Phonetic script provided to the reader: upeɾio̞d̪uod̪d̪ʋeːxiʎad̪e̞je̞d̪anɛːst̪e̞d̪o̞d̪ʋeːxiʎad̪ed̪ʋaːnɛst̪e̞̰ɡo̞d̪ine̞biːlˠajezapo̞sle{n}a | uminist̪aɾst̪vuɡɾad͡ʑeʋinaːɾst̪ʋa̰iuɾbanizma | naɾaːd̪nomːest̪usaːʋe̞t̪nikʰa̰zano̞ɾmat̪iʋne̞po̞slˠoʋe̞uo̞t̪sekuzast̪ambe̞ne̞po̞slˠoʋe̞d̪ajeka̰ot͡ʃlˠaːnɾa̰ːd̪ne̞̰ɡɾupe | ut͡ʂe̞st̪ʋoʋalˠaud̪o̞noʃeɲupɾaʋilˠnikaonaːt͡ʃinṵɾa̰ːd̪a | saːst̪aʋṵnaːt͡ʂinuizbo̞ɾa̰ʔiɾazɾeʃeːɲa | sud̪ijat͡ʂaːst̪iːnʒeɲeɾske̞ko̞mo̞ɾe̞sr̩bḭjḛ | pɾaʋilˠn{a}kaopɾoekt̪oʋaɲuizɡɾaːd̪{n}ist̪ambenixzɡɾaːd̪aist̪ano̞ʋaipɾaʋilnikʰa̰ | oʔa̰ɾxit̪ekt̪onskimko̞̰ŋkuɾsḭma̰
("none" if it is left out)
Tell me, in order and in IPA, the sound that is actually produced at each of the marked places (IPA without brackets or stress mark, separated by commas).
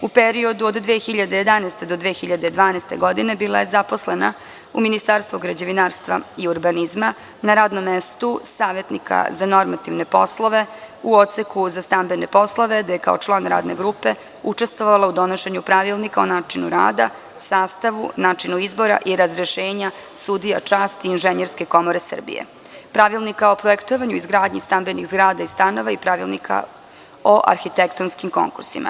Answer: n, i, ɲ